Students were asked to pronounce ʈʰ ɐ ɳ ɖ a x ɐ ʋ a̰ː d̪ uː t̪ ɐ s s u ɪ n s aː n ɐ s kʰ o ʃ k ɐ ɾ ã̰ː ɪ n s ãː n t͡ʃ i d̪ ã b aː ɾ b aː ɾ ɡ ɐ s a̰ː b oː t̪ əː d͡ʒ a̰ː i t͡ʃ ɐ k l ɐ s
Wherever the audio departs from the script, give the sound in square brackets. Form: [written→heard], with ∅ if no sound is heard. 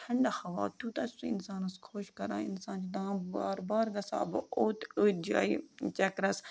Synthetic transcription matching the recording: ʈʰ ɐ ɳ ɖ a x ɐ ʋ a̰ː [d̪→t̪] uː t̪ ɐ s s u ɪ n s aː n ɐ s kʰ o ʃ k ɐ ɾ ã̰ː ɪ n s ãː n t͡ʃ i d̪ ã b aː ɾ b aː ɾ ɡ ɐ s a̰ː b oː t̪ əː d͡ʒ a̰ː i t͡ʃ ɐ k [l→ɾ] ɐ s